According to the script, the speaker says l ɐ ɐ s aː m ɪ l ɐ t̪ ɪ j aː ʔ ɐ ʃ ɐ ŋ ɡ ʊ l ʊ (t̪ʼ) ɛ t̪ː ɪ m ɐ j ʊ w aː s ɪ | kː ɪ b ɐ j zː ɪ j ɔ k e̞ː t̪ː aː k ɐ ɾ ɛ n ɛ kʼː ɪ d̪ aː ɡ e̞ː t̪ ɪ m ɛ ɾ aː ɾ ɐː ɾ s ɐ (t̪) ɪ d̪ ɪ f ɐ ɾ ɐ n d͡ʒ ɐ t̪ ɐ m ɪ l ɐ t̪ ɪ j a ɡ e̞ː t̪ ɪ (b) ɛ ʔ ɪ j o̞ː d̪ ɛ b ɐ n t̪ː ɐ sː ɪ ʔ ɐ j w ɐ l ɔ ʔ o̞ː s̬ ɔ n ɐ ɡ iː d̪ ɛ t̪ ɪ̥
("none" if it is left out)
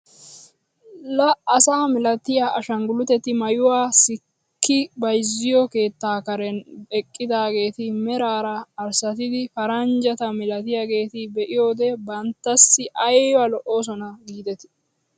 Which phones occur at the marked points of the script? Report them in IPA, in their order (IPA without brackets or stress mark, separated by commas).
t̪, t̪, b